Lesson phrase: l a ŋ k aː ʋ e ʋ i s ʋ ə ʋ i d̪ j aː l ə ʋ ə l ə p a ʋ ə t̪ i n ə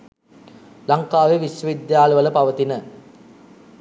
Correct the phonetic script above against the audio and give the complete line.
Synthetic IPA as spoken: l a ŋ k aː ʋ e ʋ i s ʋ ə ʋ i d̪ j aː l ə ʋ ə l ə p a ʋ ə t̪ i n ə